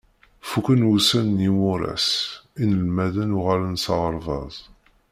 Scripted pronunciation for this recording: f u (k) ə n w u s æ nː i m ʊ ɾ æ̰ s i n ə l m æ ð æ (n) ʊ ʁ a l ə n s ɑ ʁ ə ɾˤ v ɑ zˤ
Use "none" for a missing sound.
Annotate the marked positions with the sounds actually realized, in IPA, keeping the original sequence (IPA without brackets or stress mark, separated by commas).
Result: k, n